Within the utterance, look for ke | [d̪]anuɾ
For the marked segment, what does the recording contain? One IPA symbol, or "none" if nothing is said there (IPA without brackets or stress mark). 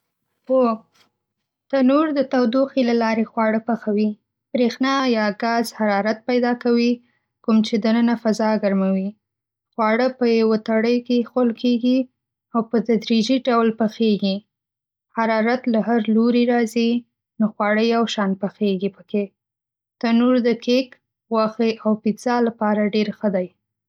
t̪